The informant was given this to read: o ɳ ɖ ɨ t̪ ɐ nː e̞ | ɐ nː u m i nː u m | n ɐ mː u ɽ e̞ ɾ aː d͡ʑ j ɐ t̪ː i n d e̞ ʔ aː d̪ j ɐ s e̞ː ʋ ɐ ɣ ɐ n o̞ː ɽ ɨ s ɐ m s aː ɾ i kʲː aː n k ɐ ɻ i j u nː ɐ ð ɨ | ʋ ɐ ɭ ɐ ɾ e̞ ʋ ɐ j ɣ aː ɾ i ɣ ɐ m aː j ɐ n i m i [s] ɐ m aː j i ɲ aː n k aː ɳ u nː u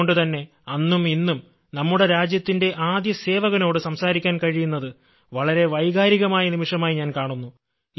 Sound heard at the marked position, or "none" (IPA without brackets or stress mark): ʂ